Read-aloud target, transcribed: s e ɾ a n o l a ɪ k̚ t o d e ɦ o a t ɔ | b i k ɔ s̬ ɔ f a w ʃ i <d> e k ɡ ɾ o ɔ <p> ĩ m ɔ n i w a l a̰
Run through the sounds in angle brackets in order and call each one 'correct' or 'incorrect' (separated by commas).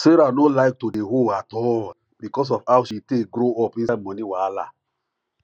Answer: incorrect, correct